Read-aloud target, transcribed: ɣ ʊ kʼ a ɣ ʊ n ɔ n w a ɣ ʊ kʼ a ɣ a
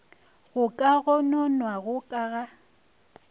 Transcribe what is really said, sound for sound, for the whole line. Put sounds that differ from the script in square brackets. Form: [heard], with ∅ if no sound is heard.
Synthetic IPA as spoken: ɣ ʊ kʼ a ɣ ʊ n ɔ n w a ɣ ʊ kʼ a ɣ a